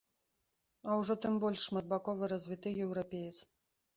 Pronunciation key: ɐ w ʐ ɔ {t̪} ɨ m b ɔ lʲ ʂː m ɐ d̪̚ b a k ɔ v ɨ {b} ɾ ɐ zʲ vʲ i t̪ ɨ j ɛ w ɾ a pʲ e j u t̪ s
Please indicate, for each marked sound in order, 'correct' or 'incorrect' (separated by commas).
correct, incorrect